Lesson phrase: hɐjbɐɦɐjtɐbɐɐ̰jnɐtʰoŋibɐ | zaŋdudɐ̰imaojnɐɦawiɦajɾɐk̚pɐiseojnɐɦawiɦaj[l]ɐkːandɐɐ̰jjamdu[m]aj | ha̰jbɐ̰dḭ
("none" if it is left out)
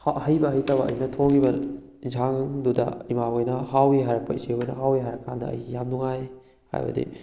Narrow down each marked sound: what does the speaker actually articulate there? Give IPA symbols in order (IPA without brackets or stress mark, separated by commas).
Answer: ɾ, ŋ